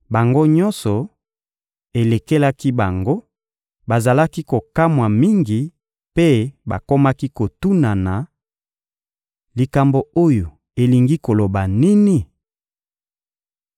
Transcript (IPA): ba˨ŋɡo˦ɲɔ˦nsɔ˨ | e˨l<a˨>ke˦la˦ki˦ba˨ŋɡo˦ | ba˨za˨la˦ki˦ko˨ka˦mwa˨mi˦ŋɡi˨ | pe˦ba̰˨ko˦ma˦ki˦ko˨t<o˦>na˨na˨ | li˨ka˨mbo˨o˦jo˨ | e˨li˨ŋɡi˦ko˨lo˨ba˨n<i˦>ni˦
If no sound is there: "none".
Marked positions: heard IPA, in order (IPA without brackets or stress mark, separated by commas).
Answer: e˨, u˦, i˦